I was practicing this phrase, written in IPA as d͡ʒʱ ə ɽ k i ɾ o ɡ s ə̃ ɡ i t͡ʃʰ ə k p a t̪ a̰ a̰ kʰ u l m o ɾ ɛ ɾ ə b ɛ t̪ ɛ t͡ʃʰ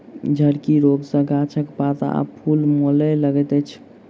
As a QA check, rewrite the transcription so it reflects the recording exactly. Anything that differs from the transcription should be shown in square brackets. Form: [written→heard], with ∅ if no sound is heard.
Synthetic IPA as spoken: d͡ʒʱ ə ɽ k i ɾ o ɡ s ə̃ ɡ [i→a] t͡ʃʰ ə k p a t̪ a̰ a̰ [kʰ→pʰ] u l m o [ɾ→l] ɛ [ɾ→l] ə [b→ɡ] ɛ t̪ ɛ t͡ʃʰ